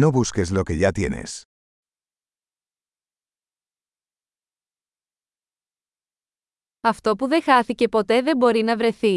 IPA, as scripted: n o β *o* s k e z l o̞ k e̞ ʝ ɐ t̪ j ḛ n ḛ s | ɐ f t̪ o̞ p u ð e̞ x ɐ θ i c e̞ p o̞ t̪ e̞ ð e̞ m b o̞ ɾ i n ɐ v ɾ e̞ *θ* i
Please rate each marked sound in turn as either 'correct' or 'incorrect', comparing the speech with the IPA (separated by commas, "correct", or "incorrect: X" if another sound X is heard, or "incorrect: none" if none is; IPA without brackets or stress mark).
incorrect: u, correct